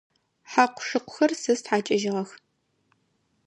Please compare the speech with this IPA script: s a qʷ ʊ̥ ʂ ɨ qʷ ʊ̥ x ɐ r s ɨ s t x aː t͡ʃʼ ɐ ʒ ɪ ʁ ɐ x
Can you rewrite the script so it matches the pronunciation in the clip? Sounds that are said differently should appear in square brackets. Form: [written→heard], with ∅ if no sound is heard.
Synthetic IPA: [s→ħ] a qʷ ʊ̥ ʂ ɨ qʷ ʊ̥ x ɐ r s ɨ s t [x→ħ] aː t͡ʃʼ ɐ ʒ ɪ ʁ ɐ x